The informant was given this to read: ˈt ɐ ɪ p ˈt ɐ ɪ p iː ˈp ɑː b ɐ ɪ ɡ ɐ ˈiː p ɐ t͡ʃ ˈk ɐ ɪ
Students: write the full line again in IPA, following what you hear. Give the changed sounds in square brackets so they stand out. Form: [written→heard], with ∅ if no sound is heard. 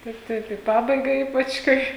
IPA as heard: ˈt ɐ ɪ p ˈt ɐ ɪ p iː ˈp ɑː b ɐ ɪ ɡ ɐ ˈiː p ɐ t͡ʃ ˈk ɐ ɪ